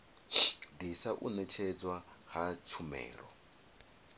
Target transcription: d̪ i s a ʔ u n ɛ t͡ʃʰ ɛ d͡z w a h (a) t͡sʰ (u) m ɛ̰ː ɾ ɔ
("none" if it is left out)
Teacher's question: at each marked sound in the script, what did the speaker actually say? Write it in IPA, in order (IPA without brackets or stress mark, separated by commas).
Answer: a, u